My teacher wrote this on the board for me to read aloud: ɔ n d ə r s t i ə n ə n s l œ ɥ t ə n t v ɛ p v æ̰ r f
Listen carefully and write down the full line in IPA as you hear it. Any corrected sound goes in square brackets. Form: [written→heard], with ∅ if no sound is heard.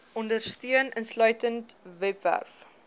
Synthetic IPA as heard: ɔ n d ə r s t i ə n ə n s l œ ɥ t ə n t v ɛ p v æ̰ r f